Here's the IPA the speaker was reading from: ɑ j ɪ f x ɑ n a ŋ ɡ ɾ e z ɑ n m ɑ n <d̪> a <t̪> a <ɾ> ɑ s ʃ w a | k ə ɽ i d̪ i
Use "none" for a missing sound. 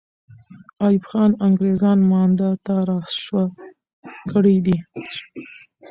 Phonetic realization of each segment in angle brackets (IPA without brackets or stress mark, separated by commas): d̪, t̪, ɾ